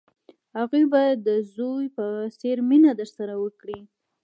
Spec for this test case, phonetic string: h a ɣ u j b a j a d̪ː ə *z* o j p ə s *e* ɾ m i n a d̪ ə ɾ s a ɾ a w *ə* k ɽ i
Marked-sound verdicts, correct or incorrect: correct, correct, correct

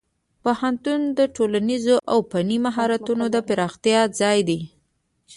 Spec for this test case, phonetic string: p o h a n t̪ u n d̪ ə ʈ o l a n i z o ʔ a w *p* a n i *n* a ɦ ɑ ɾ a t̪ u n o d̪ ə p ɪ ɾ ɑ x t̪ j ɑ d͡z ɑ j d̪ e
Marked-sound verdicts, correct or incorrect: correct, incorrect: m

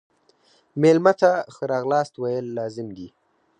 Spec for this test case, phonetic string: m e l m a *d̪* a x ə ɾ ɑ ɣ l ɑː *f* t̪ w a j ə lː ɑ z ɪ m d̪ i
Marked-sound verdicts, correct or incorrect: incorrect: t̪, incorrect: s

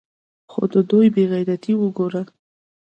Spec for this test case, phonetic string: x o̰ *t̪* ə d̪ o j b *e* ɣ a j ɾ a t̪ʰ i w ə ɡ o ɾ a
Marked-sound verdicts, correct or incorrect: incorrect: d̪, correct

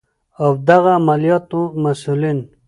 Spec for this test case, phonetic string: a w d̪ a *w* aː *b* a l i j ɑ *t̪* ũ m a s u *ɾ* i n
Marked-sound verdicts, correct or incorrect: incorrect: ɣ, incorrect: m, correct, incorrect: l

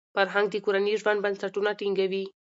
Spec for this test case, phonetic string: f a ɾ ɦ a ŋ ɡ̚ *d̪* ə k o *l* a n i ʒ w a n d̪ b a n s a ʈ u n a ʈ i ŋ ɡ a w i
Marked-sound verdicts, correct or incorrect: correct, incorrect: ɾ

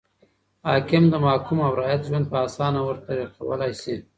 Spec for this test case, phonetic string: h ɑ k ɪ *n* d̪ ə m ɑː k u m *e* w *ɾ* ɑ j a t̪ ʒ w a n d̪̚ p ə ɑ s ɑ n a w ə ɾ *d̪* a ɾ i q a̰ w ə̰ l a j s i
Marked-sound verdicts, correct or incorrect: incorrect: m, incorrect: a, correct, incorrect: t̪

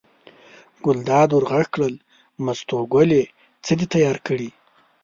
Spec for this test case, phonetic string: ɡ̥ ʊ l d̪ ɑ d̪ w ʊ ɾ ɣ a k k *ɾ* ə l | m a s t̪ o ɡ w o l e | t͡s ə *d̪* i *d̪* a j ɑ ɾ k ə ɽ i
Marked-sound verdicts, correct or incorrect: incorrect: ɽ, correct, incorrect: t̪

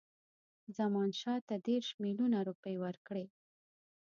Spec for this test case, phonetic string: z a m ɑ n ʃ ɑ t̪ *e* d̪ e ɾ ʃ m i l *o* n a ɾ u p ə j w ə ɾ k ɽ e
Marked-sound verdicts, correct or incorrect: incorrect: a, incorrect: u

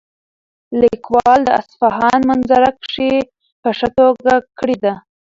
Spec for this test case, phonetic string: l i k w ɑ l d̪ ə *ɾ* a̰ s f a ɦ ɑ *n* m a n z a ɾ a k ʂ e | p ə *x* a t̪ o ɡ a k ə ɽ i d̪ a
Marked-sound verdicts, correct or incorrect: incorrect: none, correct, incorrect: ʂ

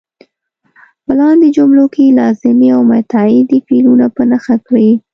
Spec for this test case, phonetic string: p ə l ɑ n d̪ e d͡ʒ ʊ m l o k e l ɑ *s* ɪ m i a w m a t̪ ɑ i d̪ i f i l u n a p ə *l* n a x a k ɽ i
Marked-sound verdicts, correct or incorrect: incorrect: z, incorrect: none

